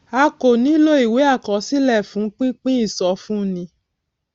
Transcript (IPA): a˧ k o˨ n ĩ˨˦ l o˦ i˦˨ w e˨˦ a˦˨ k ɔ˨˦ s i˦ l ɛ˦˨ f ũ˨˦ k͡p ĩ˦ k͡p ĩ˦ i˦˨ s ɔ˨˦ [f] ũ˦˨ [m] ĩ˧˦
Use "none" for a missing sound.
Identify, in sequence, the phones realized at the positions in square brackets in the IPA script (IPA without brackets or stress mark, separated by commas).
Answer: f, n